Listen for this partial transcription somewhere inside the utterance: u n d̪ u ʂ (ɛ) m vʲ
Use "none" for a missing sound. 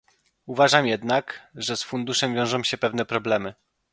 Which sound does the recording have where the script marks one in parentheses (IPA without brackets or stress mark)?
ɛ